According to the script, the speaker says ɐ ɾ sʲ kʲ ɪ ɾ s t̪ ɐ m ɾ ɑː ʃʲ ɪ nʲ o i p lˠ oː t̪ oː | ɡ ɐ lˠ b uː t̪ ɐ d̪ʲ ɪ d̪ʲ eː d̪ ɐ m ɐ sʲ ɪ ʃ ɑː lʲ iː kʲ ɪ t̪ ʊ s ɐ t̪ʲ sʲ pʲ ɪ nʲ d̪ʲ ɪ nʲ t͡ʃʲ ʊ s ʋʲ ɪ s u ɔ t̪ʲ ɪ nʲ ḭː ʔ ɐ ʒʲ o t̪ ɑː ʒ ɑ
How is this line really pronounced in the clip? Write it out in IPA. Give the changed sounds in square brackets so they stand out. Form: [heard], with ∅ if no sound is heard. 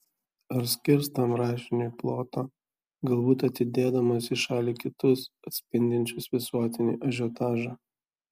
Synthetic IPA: ɐ ɾ sʲ kʲ ɪ ɾ s t̪ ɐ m ɾ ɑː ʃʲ ɪ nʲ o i p lˠ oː t̪ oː | ɡ ɐ lˠ b uː t̪ ɐ [t̪ʲ] ɪ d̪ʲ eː d̪ ɐ m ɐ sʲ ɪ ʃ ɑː lʲ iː kʲ ɪ t̪ ʊ s ɐ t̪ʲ sʲ pʲ ɪ nʲ d̪ʲ ɪ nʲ t͡ʃʲ ʊ s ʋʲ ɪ s u ɔ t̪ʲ ɪ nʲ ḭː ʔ ɐ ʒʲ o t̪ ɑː ʒ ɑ